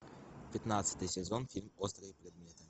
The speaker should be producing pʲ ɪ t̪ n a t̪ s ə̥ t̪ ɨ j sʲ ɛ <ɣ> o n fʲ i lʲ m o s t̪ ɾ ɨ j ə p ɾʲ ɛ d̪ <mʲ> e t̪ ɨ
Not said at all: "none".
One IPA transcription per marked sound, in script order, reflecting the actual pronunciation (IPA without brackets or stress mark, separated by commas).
z, mʲ